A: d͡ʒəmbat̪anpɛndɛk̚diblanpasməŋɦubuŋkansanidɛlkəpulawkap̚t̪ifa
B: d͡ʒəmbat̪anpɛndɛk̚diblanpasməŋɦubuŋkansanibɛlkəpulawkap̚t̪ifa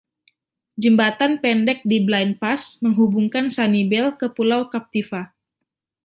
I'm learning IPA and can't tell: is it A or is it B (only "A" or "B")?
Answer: B